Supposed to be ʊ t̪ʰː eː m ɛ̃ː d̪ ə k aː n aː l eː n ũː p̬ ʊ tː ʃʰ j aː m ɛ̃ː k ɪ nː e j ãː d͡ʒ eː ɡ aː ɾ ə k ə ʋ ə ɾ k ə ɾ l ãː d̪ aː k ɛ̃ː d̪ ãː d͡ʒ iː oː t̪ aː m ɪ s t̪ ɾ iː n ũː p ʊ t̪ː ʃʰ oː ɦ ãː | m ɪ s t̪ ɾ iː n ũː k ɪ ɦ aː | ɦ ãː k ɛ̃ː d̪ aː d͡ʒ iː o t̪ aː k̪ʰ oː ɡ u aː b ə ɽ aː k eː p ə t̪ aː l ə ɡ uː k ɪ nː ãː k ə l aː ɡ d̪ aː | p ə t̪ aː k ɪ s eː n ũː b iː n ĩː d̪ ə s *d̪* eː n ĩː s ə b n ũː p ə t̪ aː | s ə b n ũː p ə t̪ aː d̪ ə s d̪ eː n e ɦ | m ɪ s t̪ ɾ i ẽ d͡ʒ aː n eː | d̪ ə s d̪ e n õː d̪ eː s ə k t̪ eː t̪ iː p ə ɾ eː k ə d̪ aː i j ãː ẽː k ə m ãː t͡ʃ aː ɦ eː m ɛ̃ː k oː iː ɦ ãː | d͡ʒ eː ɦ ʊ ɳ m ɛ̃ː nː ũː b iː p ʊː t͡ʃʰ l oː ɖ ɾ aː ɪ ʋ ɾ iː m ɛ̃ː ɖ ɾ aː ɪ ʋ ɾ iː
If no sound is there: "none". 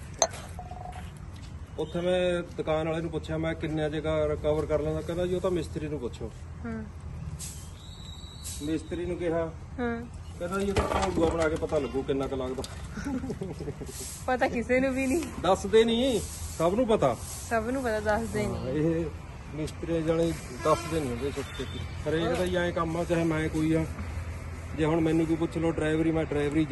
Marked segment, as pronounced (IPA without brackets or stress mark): d̪